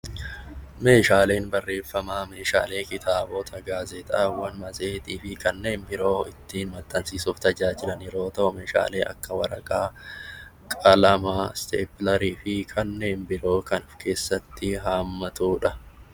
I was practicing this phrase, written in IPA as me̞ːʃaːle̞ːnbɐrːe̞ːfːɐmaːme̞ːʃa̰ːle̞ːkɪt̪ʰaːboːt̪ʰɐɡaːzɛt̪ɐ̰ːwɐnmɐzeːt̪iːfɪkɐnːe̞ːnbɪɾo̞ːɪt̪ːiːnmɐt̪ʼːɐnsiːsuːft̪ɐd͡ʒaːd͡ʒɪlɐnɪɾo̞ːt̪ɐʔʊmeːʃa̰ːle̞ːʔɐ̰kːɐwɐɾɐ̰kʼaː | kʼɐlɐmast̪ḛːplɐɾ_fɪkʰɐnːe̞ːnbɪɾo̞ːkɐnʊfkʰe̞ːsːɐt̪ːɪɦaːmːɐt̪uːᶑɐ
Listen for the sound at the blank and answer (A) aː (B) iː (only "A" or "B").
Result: B